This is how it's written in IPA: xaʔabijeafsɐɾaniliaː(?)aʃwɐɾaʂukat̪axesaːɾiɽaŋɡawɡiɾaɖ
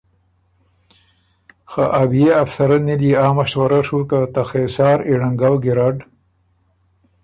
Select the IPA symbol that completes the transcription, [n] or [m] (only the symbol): m